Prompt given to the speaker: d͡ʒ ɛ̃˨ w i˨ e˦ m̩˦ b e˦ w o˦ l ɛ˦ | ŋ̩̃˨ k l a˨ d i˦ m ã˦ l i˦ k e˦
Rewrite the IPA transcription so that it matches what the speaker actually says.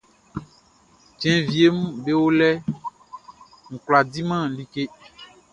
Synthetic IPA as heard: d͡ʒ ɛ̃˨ v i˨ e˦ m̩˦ b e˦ w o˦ l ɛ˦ | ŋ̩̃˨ k l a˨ d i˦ m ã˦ l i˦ k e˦